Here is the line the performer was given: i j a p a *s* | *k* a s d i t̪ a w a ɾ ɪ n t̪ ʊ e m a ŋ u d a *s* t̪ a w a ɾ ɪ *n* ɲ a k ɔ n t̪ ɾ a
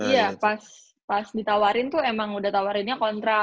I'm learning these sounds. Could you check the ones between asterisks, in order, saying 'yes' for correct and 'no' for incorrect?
yes, no, no, yes

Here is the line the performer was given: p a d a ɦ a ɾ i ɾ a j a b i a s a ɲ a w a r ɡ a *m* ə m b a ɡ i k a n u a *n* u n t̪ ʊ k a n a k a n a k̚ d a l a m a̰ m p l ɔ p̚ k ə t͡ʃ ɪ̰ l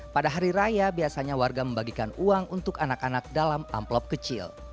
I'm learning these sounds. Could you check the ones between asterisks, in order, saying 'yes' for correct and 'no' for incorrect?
yes, no

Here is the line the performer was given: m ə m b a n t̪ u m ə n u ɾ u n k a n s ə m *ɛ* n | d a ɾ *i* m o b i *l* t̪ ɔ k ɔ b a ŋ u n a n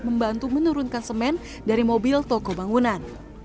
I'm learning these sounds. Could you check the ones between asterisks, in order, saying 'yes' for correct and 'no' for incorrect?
yes, yes, yes

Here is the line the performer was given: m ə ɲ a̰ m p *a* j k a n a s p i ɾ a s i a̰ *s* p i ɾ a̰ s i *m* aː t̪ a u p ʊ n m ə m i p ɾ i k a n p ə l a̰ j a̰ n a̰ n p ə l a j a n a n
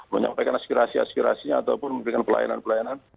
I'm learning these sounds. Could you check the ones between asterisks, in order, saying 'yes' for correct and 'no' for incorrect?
yes, yes, no

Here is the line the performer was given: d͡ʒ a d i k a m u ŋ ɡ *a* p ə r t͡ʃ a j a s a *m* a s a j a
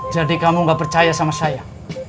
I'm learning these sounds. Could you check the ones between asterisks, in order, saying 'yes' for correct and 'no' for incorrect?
yes, yes

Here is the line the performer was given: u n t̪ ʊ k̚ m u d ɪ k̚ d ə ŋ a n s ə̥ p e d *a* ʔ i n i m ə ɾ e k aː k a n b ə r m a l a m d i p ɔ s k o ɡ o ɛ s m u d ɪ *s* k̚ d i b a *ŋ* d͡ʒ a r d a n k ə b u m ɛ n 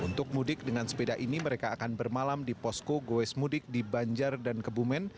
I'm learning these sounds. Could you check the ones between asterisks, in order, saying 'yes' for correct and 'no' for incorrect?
yes, no, no

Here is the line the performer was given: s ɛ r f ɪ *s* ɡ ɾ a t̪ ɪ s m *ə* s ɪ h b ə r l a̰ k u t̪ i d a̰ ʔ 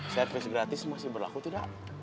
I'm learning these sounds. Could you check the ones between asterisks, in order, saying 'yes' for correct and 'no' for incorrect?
yes, no

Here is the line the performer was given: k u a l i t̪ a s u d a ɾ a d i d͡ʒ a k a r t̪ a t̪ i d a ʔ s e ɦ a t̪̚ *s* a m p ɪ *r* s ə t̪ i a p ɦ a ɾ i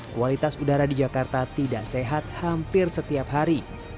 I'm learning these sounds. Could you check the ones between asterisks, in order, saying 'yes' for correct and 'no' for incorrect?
no, yes

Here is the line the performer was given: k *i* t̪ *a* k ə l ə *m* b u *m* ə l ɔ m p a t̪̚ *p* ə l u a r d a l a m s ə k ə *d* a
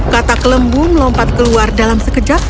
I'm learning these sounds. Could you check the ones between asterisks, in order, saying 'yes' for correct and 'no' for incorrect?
no, yes, yes, yes, no, no

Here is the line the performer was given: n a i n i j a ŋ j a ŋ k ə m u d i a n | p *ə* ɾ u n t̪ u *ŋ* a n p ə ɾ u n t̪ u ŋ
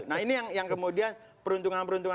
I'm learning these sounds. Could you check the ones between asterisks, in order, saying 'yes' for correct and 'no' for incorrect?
yes, yes

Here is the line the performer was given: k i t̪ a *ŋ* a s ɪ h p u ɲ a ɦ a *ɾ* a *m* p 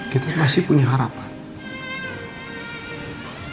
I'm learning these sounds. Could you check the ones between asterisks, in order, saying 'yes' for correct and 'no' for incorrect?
no, yes, no

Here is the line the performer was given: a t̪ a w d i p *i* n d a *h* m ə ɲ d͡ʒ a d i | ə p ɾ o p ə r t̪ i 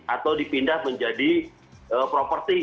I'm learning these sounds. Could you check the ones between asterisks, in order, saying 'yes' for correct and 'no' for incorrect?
yes, yes

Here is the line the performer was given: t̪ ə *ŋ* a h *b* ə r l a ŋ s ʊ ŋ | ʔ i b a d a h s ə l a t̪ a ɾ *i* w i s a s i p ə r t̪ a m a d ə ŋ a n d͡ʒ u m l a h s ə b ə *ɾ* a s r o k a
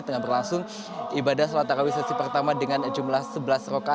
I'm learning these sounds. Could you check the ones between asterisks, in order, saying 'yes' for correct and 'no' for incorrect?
yes, yes, no, no

